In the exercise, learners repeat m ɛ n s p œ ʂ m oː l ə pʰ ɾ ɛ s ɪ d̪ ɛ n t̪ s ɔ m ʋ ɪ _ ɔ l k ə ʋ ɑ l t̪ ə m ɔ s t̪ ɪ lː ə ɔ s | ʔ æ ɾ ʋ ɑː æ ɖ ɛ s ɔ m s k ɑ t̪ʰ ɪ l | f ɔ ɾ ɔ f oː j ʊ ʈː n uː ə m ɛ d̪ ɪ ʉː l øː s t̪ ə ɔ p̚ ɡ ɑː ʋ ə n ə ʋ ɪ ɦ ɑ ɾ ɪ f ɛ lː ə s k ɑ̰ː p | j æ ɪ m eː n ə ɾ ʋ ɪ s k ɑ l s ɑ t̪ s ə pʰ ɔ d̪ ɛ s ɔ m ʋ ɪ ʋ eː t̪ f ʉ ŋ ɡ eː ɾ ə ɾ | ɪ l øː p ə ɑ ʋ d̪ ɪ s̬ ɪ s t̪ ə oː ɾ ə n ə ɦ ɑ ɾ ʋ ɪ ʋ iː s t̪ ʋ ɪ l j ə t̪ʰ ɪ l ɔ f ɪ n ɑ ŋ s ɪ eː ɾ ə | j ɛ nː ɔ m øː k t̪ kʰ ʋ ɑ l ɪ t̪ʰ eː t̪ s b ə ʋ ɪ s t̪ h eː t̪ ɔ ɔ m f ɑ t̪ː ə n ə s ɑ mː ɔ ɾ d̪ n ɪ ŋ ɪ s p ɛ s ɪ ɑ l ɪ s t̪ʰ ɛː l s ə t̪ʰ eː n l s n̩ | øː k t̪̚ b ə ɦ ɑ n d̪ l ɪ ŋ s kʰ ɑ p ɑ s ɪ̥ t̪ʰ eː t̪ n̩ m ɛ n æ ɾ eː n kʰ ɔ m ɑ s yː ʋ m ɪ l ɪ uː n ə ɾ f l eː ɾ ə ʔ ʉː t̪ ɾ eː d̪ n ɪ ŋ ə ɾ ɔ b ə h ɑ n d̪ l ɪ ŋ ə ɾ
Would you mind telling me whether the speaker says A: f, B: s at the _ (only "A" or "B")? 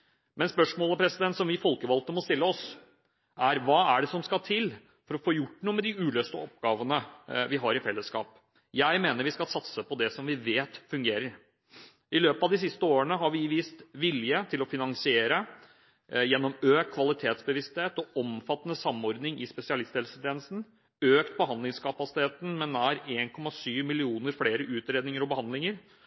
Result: A